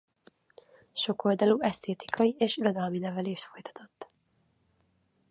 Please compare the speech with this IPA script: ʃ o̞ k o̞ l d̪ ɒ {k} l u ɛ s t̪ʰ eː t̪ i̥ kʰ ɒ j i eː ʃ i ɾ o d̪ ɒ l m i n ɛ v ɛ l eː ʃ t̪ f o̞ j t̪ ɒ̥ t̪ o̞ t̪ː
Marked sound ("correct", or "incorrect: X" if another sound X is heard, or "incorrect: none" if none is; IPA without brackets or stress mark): incorrect: none